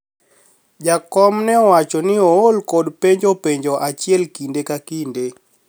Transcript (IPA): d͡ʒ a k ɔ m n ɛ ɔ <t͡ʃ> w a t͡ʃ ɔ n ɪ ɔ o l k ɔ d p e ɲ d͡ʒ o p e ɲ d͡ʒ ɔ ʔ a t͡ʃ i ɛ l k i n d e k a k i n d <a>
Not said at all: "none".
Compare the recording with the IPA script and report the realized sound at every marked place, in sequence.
none, e

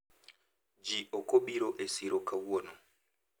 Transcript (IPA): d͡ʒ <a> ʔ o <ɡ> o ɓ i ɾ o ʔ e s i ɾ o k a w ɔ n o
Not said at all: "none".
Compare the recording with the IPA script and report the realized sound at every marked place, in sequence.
i, k

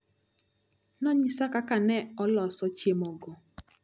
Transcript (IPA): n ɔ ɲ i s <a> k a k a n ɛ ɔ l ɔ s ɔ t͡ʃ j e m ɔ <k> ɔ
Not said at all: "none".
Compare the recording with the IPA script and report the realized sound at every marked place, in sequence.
a, ɡ

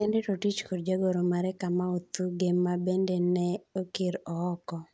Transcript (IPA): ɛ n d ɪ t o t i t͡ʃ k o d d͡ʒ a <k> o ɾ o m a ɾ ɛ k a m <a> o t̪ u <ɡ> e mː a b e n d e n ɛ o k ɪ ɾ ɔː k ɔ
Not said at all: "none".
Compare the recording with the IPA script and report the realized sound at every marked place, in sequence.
ɡ, a, ɡ

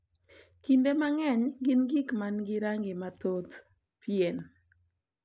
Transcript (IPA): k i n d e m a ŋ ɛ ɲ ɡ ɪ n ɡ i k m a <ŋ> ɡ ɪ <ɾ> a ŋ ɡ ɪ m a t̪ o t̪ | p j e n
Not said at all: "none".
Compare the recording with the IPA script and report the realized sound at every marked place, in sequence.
n, ɾ

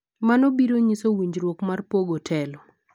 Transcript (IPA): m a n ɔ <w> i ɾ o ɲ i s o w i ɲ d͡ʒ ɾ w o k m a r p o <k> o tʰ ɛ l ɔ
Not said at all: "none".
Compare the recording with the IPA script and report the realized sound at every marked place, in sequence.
b, ɡ

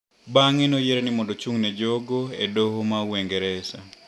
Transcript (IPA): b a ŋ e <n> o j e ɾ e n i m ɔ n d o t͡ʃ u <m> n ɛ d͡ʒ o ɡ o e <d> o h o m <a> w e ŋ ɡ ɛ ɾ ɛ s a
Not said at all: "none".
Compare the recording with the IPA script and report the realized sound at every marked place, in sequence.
n, ŋ, d, a

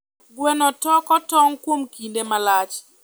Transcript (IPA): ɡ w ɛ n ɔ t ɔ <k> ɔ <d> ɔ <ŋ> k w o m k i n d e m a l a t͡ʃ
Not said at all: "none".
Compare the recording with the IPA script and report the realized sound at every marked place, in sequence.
k, t, ŋ

